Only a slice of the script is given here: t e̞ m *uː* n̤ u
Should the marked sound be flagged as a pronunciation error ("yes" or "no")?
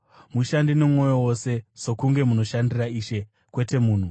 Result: no